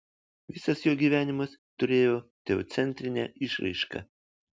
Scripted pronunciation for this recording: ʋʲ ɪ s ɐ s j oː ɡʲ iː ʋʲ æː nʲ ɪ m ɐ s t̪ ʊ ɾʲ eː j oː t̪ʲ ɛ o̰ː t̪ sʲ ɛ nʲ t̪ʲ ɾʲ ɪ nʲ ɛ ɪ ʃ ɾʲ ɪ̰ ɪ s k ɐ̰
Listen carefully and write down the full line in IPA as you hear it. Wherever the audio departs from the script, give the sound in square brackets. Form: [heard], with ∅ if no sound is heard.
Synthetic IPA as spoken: ʋʲ ɪ s ɐ s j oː ɡʲ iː ʋʲ æː nʲ ɪ m ɐ s t̪ ʊ ɾʲ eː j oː t̪ʲ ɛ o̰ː t̪ sʲ ɛ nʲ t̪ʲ ɾʲ ɪ nʲ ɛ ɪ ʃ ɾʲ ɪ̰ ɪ [ʃ] k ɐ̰